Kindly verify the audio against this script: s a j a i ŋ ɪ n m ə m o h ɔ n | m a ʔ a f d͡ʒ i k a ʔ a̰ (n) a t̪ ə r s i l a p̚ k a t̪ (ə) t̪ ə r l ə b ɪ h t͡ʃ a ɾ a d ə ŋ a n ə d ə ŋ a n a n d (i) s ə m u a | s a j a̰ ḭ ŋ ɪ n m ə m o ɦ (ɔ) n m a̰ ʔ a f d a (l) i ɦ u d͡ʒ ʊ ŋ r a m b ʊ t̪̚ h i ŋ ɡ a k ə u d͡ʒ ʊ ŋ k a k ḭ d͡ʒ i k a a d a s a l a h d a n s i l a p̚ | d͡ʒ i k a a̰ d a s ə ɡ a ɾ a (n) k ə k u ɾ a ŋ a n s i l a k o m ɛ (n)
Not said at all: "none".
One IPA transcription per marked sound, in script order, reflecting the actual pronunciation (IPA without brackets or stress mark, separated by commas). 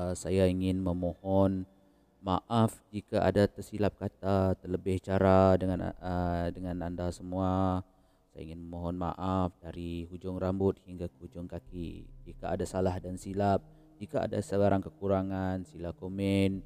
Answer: d, a, a, ɔ, ɾ, ŋ, n